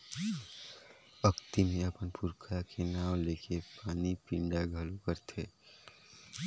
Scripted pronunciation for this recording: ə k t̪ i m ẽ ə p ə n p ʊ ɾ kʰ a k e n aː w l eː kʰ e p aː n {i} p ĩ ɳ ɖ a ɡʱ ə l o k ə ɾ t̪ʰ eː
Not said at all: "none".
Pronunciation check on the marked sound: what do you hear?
i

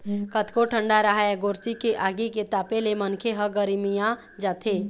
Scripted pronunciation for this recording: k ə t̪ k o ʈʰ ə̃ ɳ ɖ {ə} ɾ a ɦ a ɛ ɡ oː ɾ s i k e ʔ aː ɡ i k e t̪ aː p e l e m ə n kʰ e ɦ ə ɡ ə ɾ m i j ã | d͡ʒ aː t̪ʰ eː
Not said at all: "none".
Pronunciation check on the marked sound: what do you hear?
a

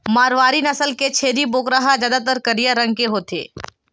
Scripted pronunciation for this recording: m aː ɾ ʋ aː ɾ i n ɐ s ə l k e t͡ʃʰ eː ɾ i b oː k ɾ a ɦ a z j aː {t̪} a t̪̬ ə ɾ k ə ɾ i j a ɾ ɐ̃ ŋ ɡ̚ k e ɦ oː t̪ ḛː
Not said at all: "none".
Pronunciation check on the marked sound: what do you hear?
d̪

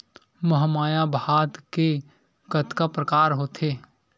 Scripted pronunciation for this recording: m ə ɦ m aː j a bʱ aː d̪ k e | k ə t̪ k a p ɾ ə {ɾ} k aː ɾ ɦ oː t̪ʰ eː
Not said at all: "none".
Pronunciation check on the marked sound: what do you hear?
none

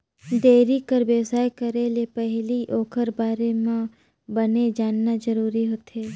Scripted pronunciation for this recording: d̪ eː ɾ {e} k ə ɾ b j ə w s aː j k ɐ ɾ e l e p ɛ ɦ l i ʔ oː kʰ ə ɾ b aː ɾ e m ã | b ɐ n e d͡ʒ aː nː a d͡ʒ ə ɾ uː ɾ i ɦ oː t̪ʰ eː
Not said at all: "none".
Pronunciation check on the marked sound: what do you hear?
i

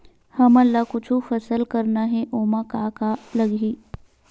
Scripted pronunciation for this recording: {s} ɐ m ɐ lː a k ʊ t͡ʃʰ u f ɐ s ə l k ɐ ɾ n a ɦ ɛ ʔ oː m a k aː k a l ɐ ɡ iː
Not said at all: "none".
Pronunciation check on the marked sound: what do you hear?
h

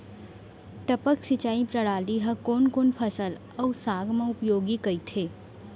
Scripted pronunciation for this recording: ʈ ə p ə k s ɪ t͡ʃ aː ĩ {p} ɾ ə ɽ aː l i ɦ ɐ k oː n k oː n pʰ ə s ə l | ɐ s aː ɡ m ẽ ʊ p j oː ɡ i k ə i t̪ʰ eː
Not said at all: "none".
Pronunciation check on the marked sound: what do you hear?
p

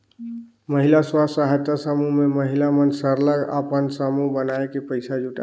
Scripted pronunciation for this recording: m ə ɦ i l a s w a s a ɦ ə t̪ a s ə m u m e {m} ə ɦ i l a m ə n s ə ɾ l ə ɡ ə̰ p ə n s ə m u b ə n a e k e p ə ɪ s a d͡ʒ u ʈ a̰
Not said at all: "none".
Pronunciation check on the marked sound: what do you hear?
m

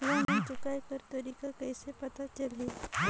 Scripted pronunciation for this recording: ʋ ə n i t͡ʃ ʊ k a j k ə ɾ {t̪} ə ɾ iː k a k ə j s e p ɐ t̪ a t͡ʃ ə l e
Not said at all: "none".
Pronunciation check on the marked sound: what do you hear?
t̪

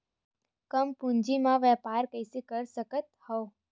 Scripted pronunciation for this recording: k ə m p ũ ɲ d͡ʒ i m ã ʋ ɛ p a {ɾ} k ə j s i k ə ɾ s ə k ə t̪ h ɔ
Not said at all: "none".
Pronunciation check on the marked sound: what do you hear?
ɾ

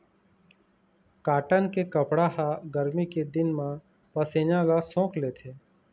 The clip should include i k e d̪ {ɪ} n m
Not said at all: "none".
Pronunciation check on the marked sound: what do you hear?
ɪ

